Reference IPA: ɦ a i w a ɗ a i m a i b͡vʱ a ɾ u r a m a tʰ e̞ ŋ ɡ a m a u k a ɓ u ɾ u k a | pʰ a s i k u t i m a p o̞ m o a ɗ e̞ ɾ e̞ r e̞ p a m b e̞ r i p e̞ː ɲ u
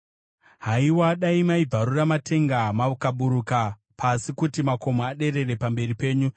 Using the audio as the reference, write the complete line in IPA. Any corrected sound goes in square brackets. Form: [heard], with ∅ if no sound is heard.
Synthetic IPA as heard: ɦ a i w a ɗ a i m a i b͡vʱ a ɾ u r a m a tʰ e̞ ŋ ɡ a m a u k a ɓ u ɾ u k a | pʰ a s i k u t i m a [k] o̞ m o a ɗ e̞ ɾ e̞ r e̞ p a m b e̞ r i p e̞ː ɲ u